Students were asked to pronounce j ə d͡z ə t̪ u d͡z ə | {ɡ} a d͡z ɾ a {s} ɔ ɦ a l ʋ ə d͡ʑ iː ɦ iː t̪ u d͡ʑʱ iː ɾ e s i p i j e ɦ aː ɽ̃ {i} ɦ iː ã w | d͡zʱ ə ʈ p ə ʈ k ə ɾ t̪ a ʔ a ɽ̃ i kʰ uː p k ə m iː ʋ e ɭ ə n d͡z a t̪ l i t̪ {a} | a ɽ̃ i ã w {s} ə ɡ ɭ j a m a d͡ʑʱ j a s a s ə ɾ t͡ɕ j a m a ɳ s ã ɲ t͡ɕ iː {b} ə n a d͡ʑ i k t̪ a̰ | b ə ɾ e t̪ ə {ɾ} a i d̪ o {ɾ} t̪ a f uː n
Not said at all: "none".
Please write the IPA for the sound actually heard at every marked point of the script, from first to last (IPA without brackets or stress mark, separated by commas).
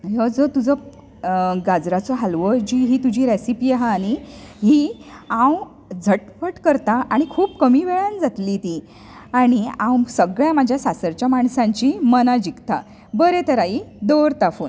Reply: ɡ, t͡s, i, i, s, m, ɾ, ɾ